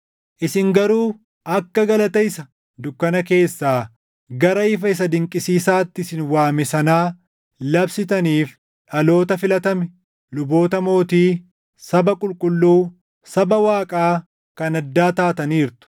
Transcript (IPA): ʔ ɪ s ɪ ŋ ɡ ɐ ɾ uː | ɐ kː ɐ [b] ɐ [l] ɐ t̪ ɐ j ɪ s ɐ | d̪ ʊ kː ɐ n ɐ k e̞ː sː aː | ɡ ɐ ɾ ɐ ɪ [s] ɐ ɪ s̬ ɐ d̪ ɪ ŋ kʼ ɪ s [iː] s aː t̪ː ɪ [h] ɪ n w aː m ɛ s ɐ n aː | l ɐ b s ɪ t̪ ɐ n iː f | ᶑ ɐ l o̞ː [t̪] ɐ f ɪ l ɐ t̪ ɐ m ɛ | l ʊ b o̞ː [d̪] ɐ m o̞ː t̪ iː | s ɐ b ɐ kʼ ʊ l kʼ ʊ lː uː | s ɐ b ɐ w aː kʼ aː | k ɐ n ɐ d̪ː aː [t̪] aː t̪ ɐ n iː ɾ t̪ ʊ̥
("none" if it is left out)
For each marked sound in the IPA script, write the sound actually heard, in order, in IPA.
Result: ɡ, l, f, iː, s, t̪, t̪, t̪

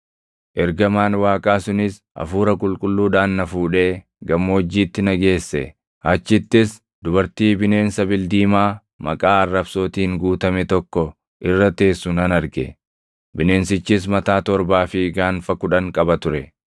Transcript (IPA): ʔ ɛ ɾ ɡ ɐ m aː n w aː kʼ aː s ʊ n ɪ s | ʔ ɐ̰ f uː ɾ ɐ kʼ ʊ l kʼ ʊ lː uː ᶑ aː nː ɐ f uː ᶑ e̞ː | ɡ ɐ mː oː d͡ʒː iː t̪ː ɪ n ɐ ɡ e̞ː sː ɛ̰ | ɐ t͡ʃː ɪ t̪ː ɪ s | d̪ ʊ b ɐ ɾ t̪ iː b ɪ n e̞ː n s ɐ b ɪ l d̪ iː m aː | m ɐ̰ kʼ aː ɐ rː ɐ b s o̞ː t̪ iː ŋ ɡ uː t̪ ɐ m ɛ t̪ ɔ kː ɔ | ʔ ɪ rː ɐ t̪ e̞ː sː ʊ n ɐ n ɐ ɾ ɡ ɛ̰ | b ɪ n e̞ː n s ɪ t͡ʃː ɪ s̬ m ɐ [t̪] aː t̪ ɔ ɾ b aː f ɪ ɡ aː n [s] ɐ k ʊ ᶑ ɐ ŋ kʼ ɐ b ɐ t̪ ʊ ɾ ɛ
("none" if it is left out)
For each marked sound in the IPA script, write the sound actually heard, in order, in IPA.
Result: t̪, f

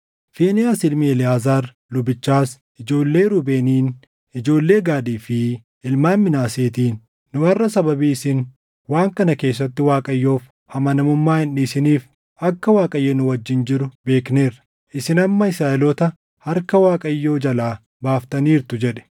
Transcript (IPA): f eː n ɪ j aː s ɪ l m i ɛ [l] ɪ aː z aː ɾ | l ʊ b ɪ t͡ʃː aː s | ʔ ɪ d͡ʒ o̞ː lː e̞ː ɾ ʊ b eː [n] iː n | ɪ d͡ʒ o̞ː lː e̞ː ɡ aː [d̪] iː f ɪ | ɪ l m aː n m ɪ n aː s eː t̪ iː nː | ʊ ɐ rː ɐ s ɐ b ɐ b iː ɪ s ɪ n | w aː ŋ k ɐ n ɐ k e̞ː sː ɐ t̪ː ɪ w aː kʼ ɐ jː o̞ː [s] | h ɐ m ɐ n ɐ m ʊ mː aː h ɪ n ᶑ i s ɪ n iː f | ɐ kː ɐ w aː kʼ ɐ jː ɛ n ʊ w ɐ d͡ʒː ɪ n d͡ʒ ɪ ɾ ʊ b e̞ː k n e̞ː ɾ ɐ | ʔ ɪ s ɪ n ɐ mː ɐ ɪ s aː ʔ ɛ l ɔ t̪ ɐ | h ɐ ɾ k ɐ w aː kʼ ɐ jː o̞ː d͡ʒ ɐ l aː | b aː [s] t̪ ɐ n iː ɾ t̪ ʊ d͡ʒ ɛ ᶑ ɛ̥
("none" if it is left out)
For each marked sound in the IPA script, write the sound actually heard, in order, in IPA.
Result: l, n, d̪, f, f

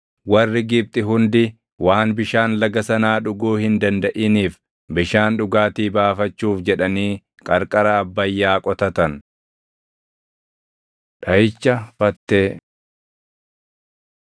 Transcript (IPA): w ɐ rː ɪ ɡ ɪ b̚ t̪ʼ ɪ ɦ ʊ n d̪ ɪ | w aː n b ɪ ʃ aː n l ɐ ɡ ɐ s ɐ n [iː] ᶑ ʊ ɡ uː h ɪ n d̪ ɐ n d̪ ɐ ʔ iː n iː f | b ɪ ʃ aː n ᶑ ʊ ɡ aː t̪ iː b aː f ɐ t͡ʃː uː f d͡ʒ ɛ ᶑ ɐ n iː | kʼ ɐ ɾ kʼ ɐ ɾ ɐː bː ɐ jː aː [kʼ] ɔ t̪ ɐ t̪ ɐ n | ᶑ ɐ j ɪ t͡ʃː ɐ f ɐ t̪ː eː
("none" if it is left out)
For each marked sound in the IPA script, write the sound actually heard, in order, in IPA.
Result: aː, kʼ

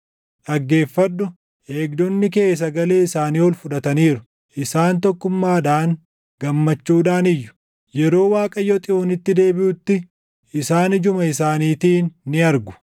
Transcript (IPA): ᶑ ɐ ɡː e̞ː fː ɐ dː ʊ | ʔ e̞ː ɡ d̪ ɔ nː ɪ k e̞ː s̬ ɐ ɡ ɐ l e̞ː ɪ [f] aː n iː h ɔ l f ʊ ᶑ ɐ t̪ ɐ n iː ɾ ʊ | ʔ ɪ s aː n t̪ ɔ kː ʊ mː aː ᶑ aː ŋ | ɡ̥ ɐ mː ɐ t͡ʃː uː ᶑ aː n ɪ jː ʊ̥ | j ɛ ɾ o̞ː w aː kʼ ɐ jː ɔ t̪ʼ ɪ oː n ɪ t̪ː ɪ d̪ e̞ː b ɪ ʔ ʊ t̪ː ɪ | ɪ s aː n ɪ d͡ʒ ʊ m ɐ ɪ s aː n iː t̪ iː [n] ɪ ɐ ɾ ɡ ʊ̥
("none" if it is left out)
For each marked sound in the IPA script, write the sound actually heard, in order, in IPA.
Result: s, nː

